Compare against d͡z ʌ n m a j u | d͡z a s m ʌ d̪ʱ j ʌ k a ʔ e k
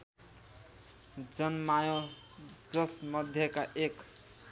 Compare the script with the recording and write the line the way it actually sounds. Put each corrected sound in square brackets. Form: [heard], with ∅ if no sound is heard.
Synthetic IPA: d͡z ʌ n m a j [o] | d͡z [ʌ] s m ʌ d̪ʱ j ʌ k a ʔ e k